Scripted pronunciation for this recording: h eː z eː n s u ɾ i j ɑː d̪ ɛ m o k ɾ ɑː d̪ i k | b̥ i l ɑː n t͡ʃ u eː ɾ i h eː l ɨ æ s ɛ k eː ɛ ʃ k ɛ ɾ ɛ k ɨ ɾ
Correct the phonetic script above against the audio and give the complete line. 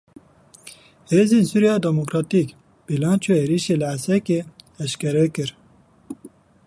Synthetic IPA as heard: h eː z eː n s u ɾ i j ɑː d̪ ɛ m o k ɾ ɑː t̪ i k | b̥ i l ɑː n t͡ʃ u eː ɾ i ʃ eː l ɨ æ s ɛ k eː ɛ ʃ k ɛ ɾ ɛ k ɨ ɾ